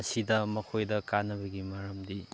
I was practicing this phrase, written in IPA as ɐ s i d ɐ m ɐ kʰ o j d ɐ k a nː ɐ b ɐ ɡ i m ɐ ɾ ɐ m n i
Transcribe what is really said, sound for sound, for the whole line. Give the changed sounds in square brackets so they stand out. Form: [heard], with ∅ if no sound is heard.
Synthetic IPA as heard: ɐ s i d ɐ m ɐ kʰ o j d ɐ k a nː ɐ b ɐ ɡ i m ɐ ɾ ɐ m [d] i